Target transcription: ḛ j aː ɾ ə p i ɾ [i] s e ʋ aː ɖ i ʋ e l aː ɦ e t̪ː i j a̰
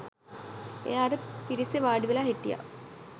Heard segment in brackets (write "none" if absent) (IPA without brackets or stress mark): i